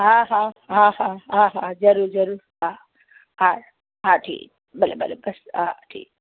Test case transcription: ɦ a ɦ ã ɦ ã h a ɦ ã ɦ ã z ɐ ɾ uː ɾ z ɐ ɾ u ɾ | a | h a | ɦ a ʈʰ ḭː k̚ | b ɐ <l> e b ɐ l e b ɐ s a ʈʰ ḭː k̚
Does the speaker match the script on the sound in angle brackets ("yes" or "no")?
yes